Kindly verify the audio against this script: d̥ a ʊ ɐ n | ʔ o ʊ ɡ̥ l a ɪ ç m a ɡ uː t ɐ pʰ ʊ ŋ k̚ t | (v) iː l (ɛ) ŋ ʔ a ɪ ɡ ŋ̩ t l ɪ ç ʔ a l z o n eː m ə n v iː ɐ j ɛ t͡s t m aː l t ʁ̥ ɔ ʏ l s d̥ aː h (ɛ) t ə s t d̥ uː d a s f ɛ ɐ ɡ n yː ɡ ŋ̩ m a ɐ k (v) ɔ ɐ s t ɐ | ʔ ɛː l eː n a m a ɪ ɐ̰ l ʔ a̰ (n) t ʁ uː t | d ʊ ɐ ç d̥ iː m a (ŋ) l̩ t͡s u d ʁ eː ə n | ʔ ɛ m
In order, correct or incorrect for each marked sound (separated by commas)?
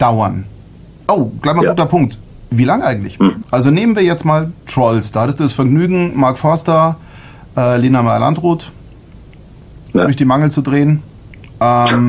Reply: correct, incorrect, incorrect, incorrect, correct, correct